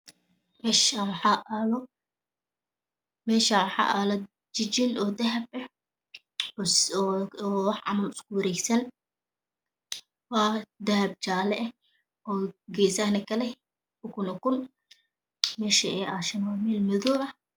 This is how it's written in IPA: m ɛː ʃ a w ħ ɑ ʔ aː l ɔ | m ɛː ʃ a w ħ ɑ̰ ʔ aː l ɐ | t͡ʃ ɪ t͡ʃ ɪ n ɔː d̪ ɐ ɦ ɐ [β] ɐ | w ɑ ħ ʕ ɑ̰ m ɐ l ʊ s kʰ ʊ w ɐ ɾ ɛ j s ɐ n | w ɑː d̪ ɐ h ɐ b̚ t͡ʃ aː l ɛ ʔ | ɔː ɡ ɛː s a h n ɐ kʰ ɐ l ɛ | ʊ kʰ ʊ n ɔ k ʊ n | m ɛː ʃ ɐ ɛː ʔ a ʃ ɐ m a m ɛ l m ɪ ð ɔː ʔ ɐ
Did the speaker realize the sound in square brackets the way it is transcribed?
no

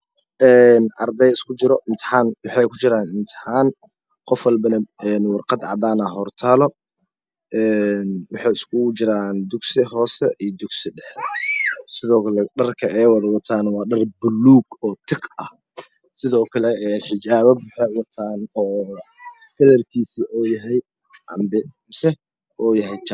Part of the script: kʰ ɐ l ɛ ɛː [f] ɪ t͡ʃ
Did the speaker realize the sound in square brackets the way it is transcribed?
no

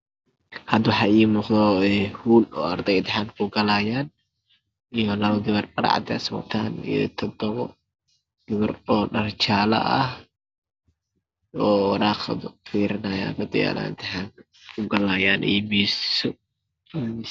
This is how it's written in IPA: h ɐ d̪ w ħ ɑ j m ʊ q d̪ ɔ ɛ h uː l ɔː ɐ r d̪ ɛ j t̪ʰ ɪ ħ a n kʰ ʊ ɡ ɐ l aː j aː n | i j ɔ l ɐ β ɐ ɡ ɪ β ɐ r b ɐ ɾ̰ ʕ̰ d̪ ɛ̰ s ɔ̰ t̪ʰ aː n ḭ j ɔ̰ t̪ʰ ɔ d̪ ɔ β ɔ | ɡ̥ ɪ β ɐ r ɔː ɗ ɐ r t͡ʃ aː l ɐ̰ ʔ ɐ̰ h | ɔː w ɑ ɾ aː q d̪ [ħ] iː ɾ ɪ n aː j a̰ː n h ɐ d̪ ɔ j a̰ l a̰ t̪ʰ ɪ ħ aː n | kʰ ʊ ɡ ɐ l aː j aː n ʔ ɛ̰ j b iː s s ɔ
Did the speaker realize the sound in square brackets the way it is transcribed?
no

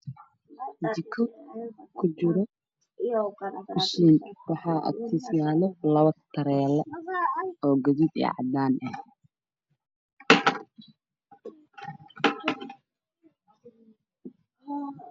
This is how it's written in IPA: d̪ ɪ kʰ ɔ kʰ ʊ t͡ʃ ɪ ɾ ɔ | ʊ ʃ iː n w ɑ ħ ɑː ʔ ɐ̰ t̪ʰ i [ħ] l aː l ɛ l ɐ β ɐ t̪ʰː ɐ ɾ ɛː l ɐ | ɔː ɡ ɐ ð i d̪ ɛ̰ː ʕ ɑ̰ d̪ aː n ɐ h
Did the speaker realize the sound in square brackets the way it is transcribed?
no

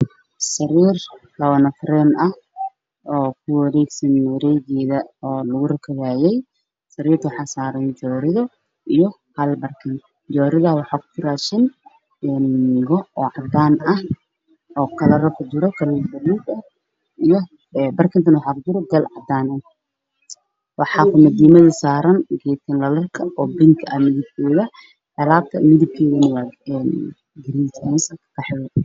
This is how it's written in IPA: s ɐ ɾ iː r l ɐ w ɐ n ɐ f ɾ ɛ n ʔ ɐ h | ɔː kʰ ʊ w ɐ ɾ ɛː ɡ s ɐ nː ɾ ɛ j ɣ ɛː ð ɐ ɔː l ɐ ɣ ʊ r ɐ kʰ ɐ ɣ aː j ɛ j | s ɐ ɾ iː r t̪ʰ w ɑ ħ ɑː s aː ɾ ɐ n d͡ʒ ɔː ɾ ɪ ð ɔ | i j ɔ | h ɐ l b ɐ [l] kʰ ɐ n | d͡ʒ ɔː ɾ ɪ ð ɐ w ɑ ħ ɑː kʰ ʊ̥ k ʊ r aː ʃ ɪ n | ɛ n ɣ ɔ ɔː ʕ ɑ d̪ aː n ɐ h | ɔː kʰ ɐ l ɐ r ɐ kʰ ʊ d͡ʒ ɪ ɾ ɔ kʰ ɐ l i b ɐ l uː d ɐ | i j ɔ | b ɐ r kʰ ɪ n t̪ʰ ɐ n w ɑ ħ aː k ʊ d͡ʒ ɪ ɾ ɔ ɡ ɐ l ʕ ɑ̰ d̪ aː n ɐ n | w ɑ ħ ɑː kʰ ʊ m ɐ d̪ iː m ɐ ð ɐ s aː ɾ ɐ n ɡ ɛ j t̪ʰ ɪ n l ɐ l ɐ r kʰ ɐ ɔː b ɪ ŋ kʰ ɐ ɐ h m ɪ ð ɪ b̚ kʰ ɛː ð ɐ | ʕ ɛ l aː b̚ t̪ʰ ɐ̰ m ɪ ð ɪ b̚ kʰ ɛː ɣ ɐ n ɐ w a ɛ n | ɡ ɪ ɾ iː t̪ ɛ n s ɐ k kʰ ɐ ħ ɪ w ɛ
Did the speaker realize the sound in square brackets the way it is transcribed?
no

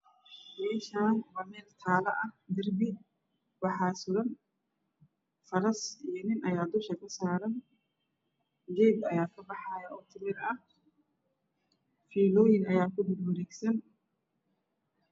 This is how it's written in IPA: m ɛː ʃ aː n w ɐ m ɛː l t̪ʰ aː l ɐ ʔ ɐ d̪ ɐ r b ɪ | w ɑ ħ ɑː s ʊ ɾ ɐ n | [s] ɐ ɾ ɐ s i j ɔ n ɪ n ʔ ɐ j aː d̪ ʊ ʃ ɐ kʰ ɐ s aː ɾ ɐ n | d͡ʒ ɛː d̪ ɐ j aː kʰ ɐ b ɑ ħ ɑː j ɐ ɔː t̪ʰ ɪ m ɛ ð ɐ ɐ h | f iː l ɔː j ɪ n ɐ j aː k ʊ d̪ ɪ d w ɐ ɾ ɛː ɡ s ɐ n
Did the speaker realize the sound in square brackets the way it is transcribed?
no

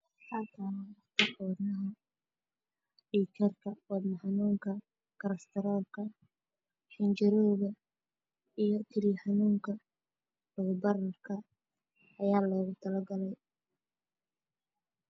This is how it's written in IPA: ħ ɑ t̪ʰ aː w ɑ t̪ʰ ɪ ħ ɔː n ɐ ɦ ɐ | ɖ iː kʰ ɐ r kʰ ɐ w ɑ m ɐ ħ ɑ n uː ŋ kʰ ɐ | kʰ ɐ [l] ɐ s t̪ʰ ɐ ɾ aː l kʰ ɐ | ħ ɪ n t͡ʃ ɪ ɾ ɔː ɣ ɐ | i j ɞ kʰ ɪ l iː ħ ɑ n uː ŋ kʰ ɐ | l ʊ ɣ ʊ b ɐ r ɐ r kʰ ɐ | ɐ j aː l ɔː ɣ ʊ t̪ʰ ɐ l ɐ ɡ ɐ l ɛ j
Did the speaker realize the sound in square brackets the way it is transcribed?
no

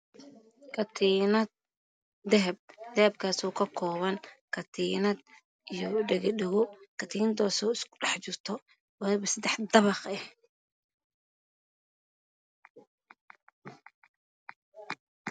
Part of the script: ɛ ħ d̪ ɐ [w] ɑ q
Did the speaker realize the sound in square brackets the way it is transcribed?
no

